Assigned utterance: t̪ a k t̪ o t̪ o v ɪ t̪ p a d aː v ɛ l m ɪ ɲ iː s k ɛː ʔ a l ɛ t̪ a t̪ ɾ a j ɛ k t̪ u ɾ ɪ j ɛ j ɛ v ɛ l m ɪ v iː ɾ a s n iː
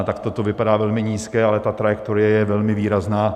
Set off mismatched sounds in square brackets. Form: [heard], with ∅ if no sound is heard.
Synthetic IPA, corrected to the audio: t̪ a k t̪ o t̪ o v ɪ [∅] p a d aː v ɛ l m ɪ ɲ iː s k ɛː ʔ a l ɛ t̪ a t̪ ɾ a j ɛ k t̪ [o] ɾ ɪ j ɛ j ɛ v ɛ l m ɪ v iː ɾ a [z] n [aː]